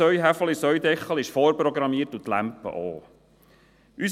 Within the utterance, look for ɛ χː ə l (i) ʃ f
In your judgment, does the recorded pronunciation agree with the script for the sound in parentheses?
no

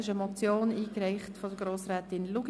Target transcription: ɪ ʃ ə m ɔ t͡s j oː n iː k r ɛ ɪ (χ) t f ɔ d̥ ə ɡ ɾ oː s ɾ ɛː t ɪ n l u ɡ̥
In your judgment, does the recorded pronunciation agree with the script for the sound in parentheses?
yes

